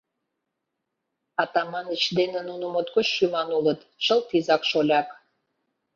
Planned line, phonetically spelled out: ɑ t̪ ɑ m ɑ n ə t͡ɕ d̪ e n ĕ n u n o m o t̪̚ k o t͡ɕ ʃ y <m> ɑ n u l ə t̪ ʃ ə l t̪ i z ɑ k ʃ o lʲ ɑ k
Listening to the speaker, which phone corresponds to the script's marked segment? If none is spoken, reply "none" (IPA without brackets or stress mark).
m